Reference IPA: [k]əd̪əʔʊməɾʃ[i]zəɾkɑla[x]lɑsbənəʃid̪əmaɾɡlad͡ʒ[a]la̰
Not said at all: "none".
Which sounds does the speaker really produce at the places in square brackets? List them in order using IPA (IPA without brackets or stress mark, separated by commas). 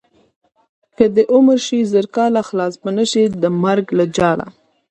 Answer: k, i, x, ɑ